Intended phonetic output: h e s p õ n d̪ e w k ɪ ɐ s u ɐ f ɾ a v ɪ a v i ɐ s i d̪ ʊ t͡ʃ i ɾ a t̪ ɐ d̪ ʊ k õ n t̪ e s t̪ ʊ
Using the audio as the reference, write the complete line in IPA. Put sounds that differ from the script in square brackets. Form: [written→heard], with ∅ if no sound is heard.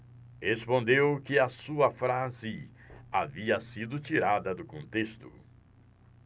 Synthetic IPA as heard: h e s p õ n d̪ e w k ɪ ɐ s u ɐ f ɾ a [v→z] ɪ a v i ɐ s i d̪ ʊ t͡ʃ i ɾ a [t̪→d̪] ɐ d̪ ʊ k õ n t̪ e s t̪ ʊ

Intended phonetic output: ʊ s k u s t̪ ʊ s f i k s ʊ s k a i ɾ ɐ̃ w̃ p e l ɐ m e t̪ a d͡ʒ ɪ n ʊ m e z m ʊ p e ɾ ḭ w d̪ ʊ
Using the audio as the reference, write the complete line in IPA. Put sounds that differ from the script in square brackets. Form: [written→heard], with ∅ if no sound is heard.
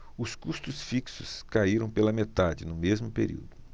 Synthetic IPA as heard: ʊ s k u s t̪ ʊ s f i k s ʊ s k a i ɾ ɐ̃ w̃ p e l ɐ m e t̪ a d͡ʒ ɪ n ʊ m e z m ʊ p e ɾ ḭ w d̪ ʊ

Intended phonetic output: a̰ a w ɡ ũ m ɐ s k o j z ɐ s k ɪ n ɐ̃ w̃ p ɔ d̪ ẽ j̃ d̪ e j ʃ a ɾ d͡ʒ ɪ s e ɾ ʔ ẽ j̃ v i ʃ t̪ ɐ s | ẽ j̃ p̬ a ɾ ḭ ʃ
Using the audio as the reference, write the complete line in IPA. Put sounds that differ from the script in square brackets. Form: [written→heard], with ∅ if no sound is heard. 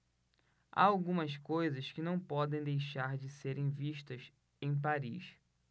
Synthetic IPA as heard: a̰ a w ɡ ũ m ɐ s k o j z ɐ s k ɪ n ɐ̃ w̃ p ɔ d̪ ẽ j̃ d̪ e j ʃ a ɾ d͡ʒ ɪ s e ɾ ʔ ẽ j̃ v i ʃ t̪ ɐ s | ẽ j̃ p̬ a ɾ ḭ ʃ

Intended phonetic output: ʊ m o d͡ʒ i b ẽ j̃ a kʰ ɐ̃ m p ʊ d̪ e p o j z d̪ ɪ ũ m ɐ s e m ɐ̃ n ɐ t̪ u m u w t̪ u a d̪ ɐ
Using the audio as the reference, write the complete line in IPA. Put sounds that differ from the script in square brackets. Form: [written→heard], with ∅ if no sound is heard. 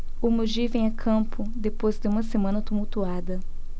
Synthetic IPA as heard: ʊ m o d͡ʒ i [b→v] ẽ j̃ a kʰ ɐ̃ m p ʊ d̪ e p o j z d̪ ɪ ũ m ɐ s e m ɐ̃ n ɐ t̪ u m u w t̪ u a d̪ ɐ

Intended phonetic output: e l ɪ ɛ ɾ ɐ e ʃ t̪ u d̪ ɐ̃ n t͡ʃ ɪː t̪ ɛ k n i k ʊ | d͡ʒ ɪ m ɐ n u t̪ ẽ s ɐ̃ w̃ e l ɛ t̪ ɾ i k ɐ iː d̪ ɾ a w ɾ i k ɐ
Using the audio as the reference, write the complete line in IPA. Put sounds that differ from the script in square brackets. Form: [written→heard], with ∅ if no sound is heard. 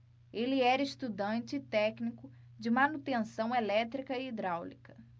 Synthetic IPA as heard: e l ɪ ɛ ɾ ɐ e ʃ t̪ u d̪ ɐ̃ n t͡ʃ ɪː t̪ ɛ k n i k ʊ | d͡ʒ ɪ m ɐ n u t̪ ẽ s ɐ̃ w̃ e l ɛ t̪ ɾ i k ɐ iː d̪ ɾ a w [ɾ→l] i k ɐ

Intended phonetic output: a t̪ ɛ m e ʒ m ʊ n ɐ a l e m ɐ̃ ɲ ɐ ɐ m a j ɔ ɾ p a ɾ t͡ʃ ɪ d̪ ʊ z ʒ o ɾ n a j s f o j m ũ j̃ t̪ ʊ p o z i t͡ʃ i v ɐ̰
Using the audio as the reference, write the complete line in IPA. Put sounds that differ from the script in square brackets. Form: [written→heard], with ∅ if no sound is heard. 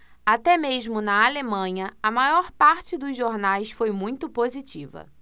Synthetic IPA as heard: a t̪ ɛ m e ʒ m ʊ n ɐ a l e m ɐ̃ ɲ ɐ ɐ m a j ɔ ɾ p a ɾ t͡ʃ ɪ d̪ ʊ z ʒ o ɾ n a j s f o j m ũ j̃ t̪ ʊ p o z i t͡ʃ i v ɐ̰

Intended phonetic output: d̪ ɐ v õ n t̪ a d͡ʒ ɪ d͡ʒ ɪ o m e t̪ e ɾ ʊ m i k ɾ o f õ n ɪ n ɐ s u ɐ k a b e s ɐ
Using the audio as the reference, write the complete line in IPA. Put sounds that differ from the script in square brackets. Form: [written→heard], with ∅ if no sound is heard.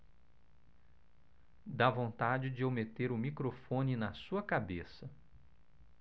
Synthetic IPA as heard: d̪ [ɐ→a] v õ n t̪ a d͡ʒ ɪ d͡ʒ ɪ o m e t̪ e ɾ ʊ m i k ɾ o f õ n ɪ n ɐ s u ɐ k a b e s ɐ

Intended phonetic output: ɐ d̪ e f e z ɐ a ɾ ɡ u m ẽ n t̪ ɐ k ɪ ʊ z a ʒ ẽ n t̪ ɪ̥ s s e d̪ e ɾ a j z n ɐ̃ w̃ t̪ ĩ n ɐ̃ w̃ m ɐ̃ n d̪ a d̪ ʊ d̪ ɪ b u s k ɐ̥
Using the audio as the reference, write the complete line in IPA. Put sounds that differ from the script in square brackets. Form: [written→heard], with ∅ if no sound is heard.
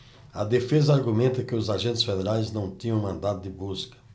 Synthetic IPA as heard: ɐ d̪ e f e z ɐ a ɾ ɡ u m ẽ n t̪ ɐ k ɪ ʊ z a ʒ ẽ n t̪ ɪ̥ s [s→f] e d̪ e ɾ a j z n ɐ̃ w̃ t̪ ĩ [n→ɲ] ɐ̃ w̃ m ɐ̃ n d̪ a d̪ ʊ d̪ ɪ b u s k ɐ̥

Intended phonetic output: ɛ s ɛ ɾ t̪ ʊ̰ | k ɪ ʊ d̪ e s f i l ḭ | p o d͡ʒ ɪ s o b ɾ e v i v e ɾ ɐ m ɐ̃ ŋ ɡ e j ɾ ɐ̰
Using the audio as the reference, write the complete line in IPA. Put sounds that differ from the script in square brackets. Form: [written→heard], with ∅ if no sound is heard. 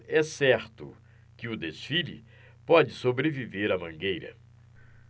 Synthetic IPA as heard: ɛ s ɛ ɾ t̪ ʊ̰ | k ɪ ʊ d̪ e s f i l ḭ | p [o→ɔ] d͡ʒ ɪ s o b ɾ e v i v e ɾ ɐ m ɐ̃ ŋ ɡ e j ɾ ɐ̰

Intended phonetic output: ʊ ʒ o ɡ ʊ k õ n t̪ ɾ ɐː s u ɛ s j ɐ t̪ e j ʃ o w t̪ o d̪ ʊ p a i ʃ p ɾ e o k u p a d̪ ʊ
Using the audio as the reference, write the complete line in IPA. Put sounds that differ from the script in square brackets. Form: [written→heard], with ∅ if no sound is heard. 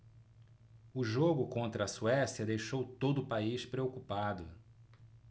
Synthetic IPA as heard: ʊ ʒ o ɡ ʊ k õ n t̪ ɾ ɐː s u ɛ s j ɐ [t̪→d̪] e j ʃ o w t̪ o d̪ ʊ p a i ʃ p ɾ e o k u p a d̪ ʊ

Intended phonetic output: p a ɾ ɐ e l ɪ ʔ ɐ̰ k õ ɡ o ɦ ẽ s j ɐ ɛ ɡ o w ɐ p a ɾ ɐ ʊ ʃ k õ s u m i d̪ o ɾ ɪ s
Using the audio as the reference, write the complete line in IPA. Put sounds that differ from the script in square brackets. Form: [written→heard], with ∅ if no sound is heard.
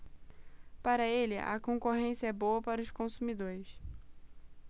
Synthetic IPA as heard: p a ɾ ɐ e l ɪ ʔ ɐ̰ k õ [ɡ→k] o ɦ ẽ s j ɐ ɛ [ɡ→b] o w ɐ p a ɾ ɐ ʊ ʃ k õ s u m i d̪ o ɾ ɪ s

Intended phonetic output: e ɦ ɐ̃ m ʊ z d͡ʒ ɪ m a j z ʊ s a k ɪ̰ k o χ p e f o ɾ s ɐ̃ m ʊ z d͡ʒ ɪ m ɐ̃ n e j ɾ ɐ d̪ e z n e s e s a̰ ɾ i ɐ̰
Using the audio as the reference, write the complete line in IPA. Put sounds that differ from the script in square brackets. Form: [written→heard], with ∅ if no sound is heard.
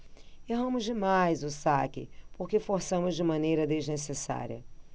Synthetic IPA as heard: e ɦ ɐ̃ m ʊ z d͡ʒ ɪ m a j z ʊ s a k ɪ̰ [k→p] o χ [p→k] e f o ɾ s ɐ̃ m ʊ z d͡ʒ ɪ m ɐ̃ n e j ɾ ɐ d̪ e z n e s e s a̰ ɾ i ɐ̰

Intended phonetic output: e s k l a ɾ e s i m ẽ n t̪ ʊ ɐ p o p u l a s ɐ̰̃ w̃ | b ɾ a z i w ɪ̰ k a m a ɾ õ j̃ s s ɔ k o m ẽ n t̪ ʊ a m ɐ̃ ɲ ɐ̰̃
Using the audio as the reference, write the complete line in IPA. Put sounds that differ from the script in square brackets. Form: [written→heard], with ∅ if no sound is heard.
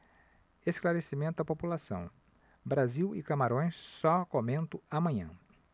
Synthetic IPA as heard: e s k l a ɾ e s i m ẽ n t̪ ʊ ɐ p o p u l a s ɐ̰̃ w̃ | b ɾ a z i w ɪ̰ k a m a ɾ õ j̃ s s ɔ k o m ẽ n t̪ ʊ a m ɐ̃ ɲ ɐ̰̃

